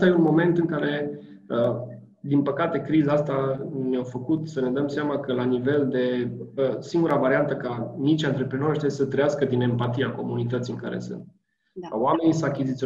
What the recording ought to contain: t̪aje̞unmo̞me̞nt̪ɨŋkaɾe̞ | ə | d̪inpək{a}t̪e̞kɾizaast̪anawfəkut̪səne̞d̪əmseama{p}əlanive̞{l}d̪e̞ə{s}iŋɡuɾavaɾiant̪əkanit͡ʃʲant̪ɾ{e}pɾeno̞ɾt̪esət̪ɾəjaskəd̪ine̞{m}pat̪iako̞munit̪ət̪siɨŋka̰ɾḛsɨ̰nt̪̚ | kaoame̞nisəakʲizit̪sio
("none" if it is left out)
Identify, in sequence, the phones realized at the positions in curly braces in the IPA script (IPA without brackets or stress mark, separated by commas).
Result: a, k, l, s, e, m